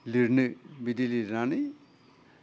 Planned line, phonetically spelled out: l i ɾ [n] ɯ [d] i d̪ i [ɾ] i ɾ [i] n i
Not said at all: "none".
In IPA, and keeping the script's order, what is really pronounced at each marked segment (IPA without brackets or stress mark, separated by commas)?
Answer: n, b, l, a